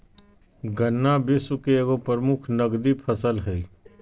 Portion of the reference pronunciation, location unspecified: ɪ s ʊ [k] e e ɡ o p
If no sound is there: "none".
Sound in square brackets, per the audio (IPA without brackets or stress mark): k